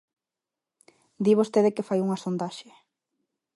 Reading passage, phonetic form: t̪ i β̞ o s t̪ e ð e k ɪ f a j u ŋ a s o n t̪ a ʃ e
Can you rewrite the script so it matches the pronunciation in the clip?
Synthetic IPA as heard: d̪ i β̞ o s t̪ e ð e k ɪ f a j u ŋ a s o n d̪ a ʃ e